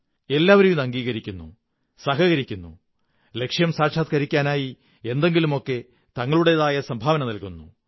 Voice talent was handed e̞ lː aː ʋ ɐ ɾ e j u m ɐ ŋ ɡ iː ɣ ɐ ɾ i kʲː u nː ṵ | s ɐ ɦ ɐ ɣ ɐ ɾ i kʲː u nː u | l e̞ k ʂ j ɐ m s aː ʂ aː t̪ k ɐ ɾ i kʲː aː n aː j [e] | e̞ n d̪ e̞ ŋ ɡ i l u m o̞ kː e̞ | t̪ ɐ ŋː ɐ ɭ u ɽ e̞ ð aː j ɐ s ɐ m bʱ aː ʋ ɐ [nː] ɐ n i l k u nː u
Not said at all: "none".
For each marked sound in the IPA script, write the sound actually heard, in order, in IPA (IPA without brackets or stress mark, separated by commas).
i, n